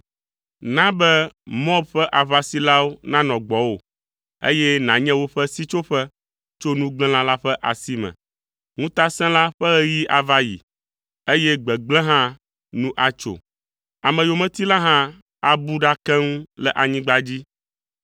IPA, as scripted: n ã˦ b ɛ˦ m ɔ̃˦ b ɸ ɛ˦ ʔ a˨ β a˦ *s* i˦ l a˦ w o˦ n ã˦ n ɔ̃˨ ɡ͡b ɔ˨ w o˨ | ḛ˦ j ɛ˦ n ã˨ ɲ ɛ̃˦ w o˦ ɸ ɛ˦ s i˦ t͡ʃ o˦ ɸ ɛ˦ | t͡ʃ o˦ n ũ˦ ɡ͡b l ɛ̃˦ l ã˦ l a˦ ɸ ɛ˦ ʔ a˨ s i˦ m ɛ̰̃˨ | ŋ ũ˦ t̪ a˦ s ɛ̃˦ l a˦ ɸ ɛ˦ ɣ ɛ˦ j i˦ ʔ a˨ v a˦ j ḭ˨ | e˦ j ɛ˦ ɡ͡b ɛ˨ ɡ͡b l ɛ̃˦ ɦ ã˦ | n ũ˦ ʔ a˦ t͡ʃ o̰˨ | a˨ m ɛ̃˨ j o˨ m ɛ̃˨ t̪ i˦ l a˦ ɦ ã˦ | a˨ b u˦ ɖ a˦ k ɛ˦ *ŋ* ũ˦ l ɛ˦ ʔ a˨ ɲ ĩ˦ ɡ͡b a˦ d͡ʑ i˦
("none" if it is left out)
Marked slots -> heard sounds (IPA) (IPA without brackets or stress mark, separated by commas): s, ŋ